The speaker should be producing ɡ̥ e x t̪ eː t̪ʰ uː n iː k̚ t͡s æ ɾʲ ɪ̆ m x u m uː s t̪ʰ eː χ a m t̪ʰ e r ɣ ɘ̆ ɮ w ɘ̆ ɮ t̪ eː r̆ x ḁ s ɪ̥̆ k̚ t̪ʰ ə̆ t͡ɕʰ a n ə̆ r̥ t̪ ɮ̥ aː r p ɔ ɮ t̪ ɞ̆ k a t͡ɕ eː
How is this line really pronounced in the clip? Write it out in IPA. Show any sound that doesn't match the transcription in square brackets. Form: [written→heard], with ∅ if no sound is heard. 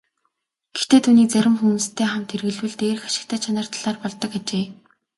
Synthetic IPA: ɡ̥ e x t̪ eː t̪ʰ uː n iː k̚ t͡s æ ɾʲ ɪ̆ m x u m uː s t̪ʰ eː χ a m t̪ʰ e r ɣ ɘ̆ ɮ w ɘ̆ ɮ t̪ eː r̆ x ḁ [s→ʃ] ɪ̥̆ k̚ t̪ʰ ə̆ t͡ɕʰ a n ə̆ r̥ t̪ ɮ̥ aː r p ɔ ɮ t̪ ɞ̆ k a t͡ɕ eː